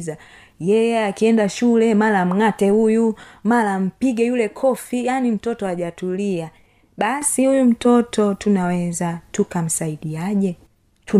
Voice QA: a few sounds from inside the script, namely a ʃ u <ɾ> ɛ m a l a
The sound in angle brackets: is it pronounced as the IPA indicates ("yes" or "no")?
no